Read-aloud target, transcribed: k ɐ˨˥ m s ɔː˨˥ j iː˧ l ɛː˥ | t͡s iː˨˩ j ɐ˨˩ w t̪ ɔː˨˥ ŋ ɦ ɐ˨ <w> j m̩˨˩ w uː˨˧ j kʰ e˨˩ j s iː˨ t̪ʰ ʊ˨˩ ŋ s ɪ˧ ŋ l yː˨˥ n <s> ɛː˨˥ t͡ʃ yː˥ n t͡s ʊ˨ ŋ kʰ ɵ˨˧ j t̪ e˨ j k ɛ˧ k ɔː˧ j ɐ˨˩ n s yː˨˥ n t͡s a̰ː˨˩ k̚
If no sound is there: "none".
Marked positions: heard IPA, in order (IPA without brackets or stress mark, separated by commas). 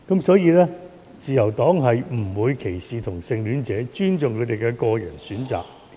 none, t͡s